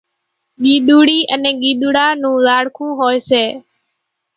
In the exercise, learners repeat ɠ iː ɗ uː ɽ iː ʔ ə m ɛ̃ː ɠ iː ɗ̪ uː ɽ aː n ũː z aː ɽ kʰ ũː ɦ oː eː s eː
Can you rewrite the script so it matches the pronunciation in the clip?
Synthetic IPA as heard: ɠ iː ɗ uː ɽ iː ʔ ə n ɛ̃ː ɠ iː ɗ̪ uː ɽ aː n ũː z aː ɽ kʰ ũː ɦ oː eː s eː